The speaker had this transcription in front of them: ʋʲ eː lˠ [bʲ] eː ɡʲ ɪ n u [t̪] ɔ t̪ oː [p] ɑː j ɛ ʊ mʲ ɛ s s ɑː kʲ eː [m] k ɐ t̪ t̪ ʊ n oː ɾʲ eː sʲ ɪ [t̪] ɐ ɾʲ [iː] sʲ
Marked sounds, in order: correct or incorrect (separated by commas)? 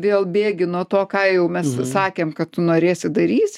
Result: correct, incorrect, incorrect, correct, incorrect, correct